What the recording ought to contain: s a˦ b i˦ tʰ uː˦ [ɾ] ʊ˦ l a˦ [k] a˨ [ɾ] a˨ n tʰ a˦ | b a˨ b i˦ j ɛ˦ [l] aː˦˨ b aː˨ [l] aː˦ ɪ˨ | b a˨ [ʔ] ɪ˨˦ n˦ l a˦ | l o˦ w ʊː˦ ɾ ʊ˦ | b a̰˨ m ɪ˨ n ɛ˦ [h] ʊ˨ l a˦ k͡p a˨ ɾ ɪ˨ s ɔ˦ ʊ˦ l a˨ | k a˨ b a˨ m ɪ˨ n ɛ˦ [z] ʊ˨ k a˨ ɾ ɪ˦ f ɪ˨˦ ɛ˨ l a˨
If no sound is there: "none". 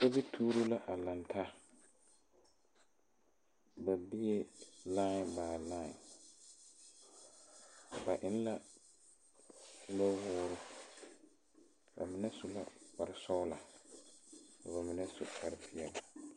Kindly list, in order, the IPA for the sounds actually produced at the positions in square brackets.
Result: ɾ, ʔ, l, l, l, ʔ, s, s

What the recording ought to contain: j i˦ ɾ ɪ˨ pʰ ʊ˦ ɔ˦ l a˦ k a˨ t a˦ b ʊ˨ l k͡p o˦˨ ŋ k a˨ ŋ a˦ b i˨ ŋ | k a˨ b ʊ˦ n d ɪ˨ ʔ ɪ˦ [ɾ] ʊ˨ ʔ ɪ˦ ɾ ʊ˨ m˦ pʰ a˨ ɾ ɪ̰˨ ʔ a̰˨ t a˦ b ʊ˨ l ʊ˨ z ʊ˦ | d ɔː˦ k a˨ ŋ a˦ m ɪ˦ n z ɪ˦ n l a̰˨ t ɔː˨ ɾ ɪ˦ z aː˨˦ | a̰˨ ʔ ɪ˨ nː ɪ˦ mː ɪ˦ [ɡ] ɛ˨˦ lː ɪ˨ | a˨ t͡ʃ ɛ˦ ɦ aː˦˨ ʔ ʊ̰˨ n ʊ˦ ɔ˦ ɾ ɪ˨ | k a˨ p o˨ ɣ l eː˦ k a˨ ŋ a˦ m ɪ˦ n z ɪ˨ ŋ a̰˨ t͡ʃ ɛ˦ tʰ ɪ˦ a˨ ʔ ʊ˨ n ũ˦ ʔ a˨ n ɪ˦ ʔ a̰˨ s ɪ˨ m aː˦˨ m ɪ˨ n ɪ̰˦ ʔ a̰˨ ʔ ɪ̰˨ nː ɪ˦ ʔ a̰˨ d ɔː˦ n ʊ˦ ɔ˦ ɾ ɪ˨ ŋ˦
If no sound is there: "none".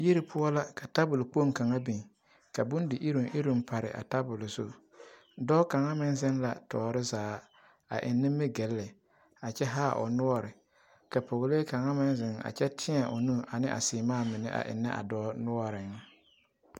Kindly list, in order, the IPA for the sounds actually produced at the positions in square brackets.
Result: ɾ, ɡ

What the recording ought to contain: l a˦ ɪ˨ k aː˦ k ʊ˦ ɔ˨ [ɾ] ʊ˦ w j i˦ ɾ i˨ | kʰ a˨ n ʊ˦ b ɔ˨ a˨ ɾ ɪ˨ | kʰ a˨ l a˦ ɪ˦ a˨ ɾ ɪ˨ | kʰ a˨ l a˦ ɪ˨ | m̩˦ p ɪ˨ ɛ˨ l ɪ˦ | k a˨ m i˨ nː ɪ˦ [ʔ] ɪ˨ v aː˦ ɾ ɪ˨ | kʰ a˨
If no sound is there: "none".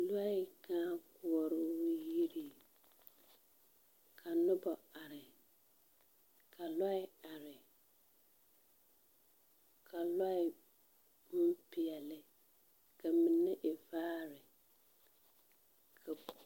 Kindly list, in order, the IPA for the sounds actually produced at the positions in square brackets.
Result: ɾ, ʔ

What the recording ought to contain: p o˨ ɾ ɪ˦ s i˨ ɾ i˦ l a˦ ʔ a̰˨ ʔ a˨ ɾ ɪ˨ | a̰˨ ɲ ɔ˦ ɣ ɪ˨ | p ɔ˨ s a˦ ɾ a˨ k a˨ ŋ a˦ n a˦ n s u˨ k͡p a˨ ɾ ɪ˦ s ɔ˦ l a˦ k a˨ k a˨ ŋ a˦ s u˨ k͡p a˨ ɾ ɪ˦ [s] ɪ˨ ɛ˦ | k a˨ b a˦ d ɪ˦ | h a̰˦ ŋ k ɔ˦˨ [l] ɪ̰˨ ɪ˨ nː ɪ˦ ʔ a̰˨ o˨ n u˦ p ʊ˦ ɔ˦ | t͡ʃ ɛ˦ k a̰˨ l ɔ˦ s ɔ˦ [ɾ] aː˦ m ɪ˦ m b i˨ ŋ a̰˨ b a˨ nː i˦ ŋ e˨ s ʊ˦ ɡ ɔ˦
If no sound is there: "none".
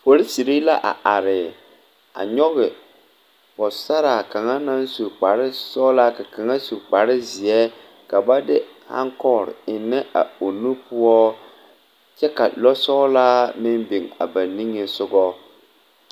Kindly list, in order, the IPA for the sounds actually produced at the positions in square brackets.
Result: z, ɾ, l

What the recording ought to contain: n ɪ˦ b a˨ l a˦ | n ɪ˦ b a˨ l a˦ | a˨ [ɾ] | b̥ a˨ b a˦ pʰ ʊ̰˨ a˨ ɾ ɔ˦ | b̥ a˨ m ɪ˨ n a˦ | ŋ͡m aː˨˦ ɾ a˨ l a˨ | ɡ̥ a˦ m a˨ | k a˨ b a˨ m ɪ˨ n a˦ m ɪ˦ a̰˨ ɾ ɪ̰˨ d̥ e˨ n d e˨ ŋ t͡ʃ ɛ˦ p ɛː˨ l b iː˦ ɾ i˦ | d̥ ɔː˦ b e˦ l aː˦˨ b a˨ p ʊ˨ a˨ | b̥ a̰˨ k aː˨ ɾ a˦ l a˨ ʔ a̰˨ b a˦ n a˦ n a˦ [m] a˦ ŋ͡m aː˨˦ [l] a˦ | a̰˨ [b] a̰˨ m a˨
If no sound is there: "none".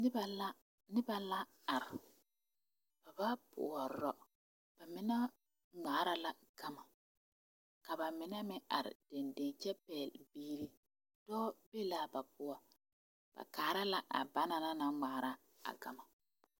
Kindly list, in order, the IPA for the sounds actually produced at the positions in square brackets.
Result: ɾ, n, ɾ, ɡ

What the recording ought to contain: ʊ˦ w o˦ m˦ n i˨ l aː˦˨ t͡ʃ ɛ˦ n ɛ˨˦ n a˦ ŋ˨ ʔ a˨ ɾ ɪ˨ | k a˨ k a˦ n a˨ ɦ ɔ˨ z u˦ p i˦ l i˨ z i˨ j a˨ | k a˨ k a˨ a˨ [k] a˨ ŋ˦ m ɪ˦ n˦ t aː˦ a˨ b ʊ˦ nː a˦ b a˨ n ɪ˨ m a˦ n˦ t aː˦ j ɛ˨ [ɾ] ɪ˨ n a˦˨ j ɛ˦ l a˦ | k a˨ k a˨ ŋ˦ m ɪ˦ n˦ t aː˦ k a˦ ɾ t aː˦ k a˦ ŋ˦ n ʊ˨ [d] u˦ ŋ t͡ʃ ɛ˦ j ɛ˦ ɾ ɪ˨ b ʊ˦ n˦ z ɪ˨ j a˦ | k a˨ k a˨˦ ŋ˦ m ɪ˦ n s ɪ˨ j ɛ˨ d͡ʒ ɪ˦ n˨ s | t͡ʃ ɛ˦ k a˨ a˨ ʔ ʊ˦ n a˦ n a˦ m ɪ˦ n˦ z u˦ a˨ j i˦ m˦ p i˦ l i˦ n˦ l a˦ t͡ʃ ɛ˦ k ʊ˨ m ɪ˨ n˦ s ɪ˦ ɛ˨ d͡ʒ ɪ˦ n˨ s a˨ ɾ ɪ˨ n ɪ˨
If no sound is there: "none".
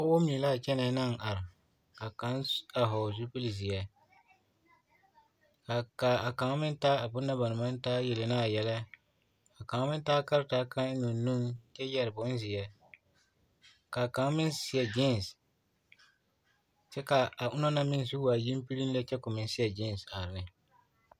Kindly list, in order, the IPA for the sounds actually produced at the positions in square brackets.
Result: k, l, n

